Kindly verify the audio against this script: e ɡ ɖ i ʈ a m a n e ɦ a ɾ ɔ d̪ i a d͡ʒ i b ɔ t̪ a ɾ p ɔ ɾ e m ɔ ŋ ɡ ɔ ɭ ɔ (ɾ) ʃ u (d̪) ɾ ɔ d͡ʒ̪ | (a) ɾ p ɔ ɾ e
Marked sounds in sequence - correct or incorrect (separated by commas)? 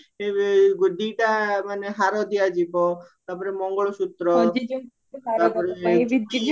incorrect, incorrect, correct